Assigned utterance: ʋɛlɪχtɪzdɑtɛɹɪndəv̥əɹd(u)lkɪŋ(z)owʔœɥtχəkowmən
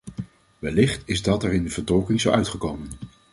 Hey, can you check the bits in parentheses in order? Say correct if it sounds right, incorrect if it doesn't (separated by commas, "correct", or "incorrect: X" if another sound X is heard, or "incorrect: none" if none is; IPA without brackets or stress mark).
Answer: incorrect: ɔ, correct